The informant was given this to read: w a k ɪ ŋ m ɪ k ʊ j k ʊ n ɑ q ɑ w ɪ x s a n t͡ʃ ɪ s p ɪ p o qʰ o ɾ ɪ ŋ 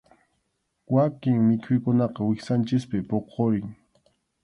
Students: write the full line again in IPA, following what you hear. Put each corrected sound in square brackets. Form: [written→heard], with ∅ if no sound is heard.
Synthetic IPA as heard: w a k ɪ ŋ m ɪ [k→kʰ] ʊ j k ʊ n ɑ q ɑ w ɪ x s a n t͡ʃ ɪ s p ɪ p o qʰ o ɾ ɪ ŋ